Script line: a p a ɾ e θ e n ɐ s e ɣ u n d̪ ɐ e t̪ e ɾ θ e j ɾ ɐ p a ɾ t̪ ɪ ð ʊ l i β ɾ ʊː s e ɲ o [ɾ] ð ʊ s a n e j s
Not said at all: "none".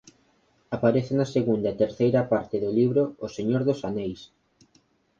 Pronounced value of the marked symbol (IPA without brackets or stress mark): ɾ